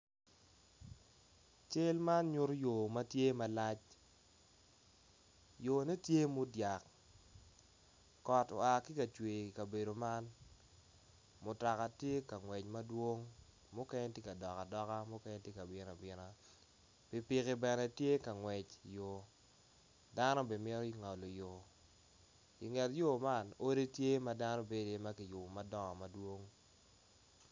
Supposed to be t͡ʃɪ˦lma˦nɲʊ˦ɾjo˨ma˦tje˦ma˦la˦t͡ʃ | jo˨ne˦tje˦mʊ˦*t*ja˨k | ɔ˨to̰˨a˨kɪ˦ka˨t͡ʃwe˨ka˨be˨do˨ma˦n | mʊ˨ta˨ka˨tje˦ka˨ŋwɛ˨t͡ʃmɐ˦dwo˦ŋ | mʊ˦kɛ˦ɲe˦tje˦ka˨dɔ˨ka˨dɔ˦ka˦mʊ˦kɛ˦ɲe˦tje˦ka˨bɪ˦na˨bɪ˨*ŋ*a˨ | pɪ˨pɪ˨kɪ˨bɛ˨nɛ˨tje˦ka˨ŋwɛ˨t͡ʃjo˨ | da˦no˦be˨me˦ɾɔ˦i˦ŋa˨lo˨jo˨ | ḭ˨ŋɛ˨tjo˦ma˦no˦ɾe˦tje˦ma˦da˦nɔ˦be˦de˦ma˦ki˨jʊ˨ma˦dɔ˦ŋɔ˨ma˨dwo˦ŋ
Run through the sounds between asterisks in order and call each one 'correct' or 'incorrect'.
incorrect: d, incorrect: n

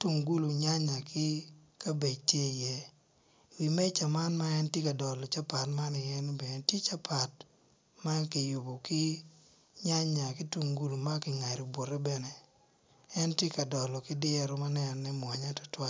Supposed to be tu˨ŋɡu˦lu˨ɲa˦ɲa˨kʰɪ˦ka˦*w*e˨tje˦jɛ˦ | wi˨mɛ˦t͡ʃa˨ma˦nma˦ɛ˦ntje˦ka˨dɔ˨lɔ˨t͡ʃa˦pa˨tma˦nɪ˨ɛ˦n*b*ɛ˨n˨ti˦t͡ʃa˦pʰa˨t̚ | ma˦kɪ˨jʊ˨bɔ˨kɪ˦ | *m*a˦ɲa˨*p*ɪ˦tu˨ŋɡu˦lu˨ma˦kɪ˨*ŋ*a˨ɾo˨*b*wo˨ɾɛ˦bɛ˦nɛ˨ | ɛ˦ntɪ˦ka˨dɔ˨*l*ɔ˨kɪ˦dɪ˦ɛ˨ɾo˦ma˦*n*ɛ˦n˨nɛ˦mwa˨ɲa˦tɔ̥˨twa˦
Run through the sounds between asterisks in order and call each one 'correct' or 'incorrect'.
incorrect: b, correct, incorrect: ɲ, incorrect: k, correct, correct, correct, correct

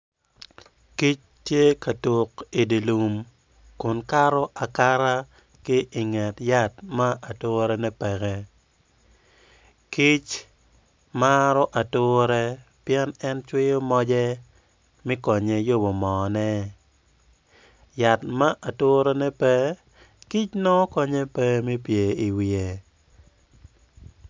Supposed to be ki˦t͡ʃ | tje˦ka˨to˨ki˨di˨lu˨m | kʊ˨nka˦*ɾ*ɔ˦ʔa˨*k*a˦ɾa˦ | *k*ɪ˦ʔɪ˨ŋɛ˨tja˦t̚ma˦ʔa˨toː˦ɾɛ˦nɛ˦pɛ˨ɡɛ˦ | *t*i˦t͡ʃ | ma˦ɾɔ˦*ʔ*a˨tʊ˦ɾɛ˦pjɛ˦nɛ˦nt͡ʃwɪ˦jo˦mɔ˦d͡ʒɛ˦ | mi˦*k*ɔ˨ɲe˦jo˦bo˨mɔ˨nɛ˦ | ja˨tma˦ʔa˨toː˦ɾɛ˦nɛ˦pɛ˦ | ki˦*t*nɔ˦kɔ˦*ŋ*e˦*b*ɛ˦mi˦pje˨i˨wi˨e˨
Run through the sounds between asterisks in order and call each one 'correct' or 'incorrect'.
correct, correct, correct, incorrect: k, correct, correct, incorrect: t͡ʃ, incorrect: ɲ, incorrect: p

